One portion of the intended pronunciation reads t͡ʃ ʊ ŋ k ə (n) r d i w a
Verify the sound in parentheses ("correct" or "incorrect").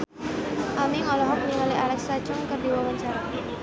incorrect